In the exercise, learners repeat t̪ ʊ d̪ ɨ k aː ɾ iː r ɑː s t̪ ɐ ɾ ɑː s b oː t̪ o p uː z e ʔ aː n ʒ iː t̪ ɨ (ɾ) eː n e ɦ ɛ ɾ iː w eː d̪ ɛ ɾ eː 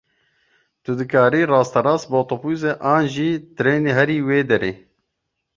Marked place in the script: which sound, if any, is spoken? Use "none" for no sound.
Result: ɾ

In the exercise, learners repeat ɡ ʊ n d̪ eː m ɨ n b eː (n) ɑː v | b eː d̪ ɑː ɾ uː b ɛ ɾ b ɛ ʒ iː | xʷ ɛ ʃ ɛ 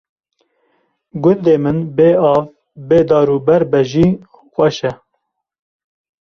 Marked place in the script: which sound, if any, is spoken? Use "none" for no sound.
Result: none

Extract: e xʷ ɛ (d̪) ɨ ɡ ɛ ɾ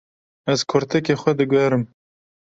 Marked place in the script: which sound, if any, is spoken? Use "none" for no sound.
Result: d̪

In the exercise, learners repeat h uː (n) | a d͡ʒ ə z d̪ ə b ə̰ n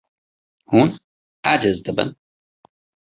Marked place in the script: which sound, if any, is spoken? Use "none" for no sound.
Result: n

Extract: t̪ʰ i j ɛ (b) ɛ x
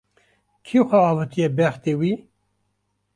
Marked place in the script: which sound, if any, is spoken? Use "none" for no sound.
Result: b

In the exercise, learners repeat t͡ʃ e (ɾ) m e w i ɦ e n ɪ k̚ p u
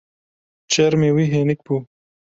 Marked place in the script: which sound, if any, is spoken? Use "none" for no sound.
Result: ɾ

